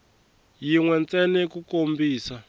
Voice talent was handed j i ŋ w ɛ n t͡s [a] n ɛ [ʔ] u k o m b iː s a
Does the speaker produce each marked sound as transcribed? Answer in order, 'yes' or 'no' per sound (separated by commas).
no, no